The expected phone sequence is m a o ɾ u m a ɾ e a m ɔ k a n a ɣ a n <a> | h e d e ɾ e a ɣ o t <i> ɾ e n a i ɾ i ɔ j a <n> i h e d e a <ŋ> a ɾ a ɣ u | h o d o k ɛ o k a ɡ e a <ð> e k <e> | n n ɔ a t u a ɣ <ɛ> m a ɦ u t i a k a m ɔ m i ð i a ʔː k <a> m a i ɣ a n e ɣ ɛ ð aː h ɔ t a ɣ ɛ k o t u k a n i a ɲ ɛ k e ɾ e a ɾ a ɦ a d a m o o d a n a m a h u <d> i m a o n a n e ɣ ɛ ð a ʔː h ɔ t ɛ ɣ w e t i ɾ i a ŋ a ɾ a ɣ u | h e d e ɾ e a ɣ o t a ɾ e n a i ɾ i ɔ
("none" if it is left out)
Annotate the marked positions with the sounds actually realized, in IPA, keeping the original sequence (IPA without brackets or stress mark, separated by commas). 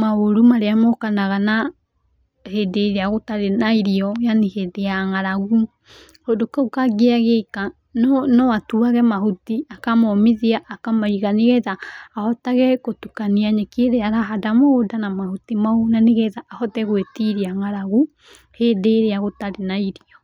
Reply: a, a, n, ŋ, ɣ, a, ɛ, a, t